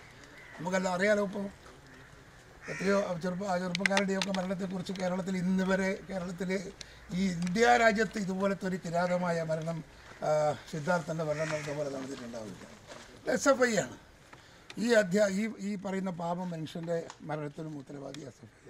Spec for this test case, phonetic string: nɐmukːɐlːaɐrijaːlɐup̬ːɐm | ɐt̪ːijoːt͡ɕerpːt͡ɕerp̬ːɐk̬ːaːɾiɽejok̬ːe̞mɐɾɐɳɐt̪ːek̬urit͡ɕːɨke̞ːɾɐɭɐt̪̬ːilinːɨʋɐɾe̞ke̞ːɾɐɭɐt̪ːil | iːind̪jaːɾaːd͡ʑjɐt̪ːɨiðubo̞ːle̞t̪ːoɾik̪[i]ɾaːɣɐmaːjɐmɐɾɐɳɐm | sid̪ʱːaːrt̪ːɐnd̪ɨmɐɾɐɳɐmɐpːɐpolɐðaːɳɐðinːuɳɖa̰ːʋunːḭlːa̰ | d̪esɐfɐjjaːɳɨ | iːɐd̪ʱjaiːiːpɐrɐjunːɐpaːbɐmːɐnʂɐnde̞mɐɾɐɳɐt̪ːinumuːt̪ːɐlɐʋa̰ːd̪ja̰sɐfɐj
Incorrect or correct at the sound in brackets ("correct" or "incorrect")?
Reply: correct